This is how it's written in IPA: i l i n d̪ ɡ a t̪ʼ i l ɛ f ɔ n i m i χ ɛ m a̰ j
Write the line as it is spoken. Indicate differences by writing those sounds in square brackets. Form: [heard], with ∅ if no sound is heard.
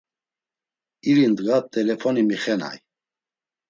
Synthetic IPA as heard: i [ɾ] i n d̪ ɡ a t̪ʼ [ɛ] l ɛ f ɔ n i m i χ ɛ [n] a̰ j